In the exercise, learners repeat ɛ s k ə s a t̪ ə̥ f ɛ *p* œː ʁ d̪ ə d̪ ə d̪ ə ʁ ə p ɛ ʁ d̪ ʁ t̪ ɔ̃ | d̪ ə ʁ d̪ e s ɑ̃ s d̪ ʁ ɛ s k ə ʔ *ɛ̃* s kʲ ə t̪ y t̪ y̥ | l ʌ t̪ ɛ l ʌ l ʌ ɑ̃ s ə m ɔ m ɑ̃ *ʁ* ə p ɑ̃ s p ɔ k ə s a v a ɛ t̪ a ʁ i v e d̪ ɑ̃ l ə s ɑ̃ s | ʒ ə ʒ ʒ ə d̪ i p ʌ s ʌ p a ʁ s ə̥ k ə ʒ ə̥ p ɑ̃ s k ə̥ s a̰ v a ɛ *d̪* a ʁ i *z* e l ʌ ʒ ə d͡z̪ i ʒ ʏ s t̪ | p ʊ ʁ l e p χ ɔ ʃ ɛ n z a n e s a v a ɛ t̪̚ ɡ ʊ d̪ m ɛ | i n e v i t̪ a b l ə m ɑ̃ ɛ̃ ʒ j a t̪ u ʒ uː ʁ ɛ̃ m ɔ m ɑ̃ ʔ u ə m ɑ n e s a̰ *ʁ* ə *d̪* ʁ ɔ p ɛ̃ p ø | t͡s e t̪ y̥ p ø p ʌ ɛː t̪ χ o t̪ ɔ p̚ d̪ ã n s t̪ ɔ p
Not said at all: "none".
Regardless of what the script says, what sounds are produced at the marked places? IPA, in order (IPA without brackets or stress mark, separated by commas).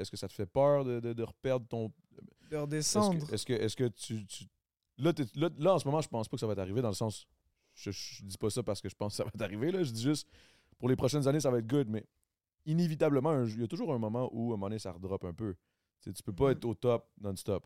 p, ɛ, ʒ, t̪, v, ʁ, d̪